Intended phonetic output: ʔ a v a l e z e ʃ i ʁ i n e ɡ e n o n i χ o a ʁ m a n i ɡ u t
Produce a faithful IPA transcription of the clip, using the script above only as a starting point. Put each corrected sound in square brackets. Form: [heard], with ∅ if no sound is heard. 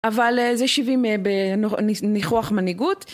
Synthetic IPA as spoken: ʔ a v a l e z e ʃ i [v] i [m] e [b] e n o n i χ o a [χ] m a n i ɡ u t